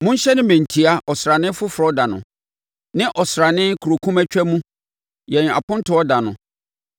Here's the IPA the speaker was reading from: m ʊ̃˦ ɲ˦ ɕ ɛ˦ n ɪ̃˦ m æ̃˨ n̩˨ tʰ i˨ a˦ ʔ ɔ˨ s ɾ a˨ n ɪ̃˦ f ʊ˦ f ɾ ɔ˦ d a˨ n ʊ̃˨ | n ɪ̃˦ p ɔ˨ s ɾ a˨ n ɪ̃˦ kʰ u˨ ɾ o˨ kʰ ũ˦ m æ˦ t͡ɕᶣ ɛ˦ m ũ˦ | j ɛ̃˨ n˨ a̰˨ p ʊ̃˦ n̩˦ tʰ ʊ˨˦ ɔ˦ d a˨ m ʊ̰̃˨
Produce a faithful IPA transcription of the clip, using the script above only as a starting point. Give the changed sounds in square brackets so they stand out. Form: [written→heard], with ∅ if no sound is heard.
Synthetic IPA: m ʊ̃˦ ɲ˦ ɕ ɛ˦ n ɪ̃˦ m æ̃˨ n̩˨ tʰ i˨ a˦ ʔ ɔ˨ s ɾ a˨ n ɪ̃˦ f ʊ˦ f ɾ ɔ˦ d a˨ n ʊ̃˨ | n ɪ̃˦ [p→ʔ] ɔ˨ s ɾ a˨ n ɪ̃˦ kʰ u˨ ɾ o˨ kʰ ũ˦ m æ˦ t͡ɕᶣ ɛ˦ m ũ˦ | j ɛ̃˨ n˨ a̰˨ p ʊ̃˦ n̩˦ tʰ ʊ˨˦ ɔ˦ d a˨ [m→n] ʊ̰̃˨